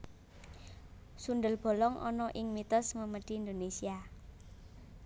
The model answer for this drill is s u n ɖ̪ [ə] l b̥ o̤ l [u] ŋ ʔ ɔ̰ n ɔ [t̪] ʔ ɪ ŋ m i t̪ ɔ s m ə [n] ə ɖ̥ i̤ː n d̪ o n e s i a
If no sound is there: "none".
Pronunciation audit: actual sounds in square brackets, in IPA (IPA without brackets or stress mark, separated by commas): ə, ɔ, none, m